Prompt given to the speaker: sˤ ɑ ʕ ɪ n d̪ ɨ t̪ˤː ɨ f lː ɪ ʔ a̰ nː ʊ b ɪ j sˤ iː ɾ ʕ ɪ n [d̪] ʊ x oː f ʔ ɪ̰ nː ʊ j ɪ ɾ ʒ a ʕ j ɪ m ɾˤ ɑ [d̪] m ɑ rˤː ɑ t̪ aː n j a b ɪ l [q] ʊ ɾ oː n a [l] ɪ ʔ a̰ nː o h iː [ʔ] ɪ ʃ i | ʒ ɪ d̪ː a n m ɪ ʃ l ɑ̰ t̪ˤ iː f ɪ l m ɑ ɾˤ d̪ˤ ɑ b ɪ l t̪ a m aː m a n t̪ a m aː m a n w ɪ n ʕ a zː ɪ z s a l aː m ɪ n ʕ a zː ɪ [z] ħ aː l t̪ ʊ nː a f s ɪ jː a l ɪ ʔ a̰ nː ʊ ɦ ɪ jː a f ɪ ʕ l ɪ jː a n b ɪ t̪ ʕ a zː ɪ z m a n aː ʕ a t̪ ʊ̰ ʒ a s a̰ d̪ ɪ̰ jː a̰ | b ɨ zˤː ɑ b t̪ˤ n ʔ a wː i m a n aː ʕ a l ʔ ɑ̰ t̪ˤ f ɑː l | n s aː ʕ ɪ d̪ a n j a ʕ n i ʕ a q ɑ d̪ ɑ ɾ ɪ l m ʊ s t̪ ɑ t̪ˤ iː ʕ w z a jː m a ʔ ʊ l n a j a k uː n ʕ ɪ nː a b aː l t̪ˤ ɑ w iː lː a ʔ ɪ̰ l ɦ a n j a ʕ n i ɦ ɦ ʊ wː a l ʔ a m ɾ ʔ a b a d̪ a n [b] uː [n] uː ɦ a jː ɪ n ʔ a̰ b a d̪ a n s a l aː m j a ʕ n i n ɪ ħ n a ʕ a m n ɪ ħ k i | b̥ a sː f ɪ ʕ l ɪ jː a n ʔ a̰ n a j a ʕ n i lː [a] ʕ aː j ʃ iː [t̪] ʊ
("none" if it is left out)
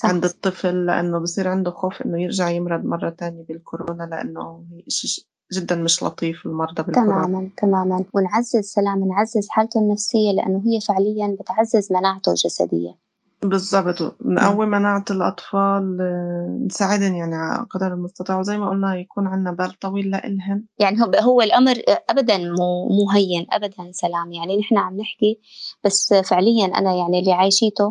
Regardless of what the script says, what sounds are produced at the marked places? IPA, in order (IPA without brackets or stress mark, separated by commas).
d̪, d̪, k, l, ʔ, z, m, m, i, t̪